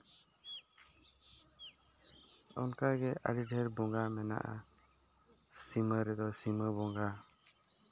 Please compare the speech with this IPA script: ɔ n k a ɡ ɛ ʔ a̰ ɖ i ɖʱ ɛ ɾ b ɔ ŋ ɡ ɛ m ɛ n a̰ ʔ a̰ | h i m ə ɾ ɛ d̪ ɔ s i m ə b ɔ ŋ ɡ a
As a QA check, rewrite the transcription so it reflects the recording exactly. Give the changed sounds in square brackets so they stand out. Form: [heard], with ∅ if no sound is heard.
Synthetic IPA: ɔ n k a ɡ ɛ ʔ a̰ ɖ i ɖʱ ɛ ɾ b ɔ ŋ ɡ [a] m ɛ n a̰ ʔ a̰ | [s] i m ə ɾ ɛ d̪ ɔ s i m ə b ɔ ŋ ɡ a